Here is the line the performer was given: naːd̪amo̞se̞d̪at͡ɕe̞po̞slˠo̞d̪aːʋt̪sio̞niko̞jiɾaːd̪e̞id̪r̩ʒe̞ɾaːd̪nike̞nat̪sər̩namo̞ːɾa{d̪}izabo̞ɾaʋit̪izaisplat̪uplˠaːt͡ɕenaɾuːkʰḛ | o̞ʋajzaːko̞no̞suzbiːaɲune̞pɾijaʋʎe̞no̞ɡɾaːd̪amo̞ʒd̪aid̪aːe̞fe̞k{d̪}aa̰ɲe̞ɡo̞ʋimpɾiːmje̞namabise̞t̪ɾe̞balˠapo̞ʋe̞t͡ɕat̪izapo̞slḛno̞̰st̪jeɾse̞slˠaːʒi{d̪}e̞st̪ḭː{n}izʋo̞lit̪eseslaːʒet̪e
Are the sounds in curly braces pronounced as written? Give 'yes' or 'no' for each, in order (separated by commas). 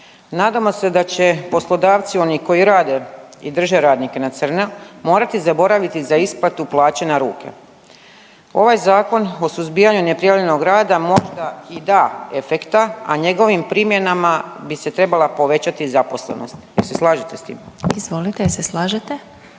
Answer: no, no, no, no